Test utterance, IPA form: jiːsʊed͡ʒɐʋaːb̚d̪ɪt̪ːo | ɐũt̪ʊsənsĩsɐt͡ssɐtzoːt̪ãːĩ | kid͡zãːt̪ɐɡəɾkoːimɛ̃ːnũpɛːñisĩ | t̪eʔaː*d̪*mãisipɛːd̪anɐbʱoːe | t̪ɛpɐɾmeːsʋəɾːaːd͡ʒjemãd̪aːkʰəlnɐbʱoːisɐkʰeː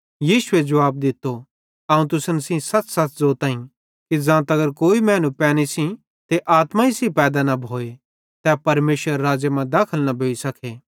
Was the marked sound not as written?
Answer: yes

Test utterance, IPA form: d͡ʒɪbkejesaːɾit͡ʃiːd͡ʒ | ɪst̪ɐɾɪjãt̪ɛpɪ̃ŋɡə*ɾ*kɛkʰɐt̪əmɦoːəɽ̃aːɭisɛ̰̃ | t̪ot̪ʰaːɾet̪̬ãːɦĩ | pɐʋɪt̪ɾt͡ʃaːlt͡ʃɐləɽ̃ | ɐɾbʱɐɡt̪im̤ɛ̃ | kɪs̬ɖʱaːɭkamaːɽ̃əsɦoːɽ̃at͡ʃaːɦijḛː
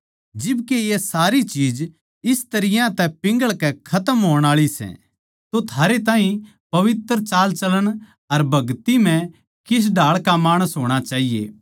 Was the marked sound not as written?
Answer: yes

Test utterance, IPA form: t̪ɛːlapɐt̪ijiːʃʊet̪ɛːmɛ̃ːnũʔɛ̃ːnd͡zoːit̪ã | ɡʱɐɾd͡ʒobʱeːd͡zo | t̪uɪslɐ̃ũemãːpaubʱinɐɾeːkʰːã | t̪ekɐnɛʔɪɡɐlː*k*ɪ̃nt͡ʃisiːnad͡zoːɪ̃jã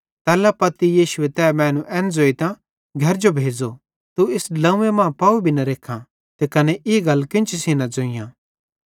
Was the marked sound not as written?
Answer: no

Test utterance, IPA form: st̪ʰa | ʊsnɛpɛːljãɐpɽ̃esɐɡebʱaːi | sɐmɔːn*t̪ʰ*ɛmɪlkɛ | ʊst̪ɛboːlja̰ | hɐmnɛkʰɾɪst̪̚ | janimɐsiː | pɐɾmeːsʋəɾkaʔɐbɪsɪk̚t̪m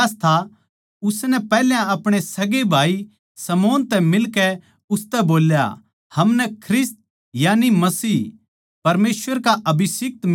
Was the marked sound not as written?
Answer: yes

